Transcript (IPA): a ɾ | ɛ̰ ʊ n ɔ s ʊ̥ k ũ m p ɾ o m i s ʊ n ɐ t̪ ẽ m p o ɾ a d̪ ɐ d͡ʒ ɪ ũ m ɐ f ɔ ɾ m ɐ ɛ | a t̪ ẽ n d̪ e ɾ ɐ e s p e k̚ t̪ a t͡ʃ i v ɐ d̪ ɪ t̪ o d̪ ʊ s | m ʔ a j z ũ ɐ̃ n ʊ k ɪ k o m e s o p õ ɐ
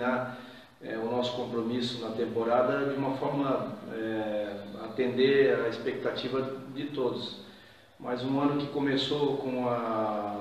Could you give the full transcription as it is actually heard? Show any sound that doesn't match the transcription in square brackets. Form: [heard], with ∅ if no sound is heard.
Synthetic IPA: a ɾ | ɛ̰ ʊ n ɔ s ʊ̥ k [õ] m p ɾ o m i s ʊ n ɐ t̪ ẽ m p o ɾ a d̪ ɐ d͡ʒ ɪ ũ m ɐ f ɔ ɾ m ɐ ɛ | a t̪ ẽ n d̪ e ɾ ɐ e s p e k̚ t̪ a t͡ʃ i v ɐ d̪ ɪ t̪ o d̪ ʊ s | m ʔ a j z ũ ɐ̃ n ʊ k ɪ k o m e s o [k] õ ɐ